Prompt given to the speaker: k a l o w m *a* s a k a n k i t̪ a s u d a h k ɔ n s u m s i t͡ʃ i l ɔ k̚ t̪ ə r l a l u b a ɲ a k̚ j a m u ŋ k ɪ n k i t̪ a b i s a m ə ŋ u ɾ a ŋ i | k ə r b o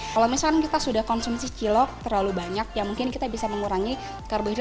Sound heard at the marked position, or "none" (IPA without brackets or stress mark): i